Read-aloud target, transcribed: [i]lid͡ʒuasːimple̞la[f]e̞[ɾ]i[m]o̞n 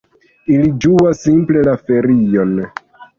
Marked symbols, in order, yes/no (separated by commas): yes, yes, yes, no